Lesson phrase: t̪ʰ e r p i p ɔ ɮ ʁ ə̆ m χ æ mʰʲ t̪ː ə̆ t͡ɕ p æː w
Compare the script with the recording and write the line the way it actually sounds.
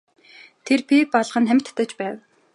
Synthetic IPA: t̪ʰ e r p i p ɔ ɮ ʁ ə̆ n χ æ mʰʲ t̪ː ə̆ t͡ɕ p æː w

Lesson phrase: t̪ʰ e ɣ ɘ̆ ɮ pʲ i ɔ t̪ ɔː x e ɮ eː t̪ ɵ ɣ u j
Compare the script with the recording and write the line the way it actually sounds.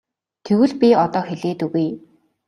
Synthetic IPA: t̪ʰ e w ɘ̆ ɮ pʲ i ɔ t̪ ɔː x e ɮ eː t̪ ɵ ɣ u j

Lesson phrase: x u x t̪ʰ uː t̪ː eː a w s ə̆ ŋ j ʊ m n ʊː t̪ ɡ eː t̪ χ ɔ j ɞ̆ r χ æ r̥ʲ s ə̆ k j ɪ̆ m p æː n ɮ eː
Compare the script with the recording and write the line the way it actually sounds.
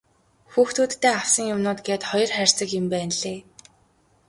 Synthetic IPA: x uː x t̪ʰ uː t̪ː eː a w s ə̆ ŋ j ʊ m n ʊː t̪ ɡ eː t̪ χ ɔ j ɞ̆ r χ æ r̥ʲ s ə̆ k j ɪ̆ m p æː n ɮ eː

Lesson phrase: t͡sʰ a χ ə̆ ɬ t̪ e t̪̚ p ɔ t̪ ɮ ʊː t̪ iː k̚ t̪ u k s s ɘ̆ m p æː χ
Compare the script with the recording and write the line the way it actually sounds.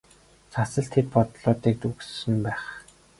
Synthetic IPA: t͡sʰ a s ə̆ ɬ t̪ʰ e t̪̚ p ɔ t̪ ɮ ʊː t̪ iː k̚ t̪ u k s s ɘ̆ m p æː χ

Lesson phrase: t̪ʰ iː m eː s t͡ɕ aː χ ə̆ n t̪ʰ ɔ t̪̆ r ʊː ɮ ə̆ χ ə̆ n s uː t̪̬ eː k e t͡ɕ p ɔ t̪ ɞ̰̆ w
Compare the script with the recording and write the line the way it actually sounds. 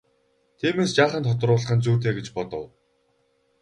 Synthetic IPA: t̪ʰ iː m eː s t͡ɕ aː χ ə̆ n t̪ʰ ɔ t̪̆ r ʊː ɮ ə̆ χ ə̆ n t͡s uː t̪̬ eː ɡ e t͡ɕ p ɔ t̪ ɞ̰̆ w

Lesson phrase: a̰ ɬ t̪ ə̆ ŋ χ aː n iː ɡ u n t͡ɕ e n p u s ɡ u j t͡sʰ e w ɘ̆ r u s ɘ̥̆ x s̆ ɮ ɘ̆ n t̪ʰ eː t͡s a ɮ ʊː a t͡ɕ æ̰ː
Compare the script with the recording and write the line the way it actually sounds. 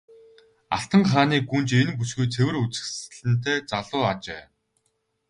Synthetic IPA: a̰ ɬ t̪ ə̆ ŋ χ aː n iː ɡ u n t͡ɕ e n p u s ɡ u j t͡sʰ e w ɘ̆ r u t͡s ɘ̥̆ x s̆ ɮ ɘ̆ n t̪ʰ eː t͡s a ɮ ʊː a t͡ɕ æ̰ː

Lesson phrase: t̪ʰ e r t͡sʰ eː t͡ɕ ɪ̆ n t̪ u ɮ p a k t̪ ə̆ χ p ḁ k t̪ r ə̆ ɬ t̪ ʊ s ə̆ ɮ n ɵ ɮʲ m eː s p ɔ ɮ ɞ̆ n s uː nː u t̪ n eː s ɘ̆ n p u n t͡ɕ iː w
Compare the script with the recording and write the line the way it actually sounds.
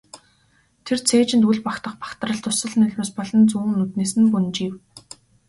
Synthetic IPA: t̪ʰ e r t͡sʰ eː t͡ɕ ɪ̆ n t̪ u ɮ p a k t̪ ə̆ χ p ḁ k t̪ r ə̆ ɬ t̪ ʊ s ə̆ ɮ n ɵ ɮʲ m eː s p ɔ ɮ ɞ̆ n t͡s uː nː u t̪ n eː s ɘ̆ n p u n t͡ɕ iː w

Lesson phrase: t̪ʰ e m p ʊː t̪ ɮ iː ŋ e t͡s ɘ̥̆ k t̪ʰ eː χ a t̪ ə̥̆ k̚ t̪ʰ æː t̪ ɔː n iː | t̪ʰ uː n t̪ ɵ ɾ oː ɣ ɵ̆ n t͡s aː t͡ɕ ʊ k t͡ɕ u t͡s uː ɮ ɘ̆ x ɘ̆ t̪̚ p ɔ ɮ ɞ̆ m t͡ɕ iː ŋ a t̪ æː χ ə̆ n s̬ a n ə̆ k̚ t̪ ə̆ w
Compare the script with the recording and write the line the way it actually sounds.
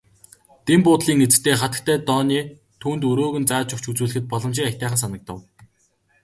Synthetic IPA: t̪ e m p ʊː t̪ ɮ iː ŋ e t͡s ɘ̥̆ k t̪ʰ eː χ a t̪ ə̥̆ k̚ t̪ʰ æː t̪ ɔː n iː | t̪ʰ uː n t̪ ɵ ɾ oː ɣ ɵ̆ n t͡s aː t͡ɕ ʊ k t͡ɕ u t͡s uː ɮ ɘ̆ x ɘ̆ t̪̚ p ɔ ɮ ɞ̆ m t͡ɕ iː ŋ a t̪ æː χ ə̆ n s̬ a n ə̆ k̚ t̪ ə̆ w

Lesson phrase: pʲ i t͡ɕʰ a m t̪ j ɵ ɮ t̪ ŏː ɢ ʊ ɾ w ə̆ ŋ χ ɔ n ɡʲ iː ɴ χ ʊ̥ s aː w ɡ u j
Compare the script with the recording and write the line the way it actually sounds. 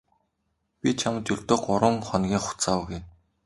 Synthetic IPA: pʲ i t͡ɕʰ a m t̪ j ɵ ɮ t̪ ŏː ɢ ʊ ɾ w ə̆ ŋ χ ɔ n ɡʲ iː ŋ χ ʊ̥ t͡s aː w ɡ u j

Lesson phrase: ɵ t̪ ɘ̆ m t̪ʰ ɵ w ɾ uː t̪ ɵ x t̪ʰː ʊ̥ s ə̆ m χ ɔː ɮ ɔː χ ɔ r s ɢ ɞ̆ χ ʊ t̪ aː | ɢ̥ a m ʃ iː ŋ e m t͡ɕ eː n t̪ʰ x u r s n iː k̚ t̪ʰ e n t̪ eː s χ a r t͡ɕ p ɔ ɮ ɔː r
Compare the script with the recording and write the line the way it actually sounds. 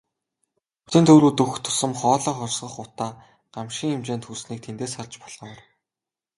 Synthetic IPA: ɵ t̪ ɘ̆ n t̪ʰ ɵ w ɾ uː t̪ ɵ x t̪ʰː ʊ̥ s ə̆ m χ ɔː ɮ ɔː χ ɔ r s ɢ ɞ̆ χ ʊ t̪ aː | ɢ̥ a m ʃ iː ŋ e m t͡ɕ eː n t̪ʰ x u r s n iː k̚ t̪ʰ e n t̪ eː s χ a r t͡ɕ p ɔ ɮ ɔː r

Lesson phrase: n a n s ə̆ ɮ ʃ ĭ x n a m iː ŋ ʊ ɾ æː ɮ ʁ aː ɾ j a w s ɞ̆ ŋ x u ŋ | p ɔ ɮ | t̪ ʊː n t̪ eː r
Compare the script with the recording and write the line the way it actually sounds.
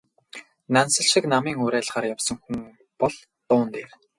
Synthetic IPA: n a n s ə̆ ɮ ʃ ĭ k n a m iː ŋ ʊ ɾ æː ɮ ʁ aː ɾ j a w s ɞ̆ ŋ x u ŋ | p ɔ ɮ | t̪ ʊː n t̪ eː r

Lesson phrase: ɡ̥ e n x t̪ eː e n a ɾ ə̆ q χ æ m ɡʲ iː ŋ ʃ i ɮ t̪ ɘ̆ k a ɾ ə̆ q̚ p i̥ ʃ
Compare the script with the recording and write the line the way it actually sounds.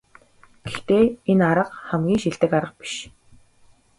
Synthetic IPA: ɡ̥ e x t̪ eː e n a ɾ ə̆ q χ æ m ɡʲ iː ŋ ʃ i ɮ t̪ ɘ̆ k a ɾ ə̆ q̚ p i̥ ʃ

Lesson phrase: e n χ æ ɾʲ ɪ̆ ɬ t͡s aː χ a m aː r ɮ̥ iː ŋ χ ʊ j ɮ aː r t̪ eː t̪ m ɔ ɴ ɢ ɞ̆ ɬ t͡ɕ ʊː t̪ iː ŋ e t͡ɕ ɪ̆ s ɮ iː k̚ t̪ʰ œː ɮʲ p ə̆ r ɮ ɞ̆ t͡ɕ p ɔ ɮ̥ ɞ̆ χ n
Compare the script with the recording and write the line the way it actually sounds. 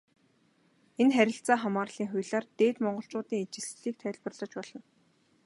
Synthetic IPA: e n χ æ ɾʲ ɪ̆ ɬ t͡s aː χ a m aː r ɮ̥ iː ŋ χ ʊ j ɮ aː r t̪ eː t̪ m ɔ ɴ ɢ ɞ̆ ɬ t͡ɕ ʊː t̪ iː ŋ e t͡ɕ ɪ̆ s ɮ iː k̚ t̪ʰ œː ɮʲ p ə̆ r ɮ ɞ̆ t͡ɕ p ɔ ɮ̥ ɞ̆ n

